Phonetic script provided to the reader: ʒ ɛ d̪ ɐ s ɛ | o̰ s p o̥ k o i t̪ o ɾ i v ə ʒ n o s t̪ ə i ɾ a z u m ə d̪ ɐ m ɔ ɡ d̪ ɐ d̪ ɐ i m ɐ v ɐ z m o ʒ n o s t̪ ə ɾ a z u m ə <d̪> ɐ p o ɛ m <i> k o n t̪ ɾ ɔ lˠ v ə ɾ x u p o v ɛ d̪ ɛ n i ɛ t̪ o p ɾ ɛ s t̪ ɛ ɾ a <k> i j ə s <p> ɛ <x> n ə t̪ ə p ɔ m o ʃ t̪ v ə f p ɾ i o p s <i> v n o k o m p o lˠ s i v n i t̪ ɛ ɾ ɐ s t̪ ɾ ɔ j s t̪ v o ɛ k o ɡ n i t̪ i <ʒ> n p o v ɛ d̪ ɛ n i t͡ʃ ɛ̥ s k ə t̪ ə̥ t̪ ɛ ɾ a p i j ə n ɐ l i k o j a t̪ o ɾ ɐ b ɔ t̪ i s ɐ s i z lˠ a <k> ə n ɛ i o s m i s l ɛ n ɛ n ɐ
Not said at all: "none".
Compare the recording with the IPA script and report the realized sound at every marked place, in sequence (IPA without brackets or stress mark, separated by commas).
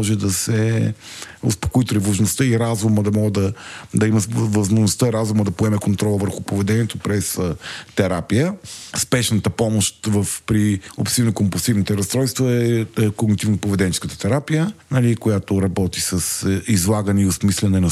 d̪, ɛ, p, p, ʃ, i, v, ɡ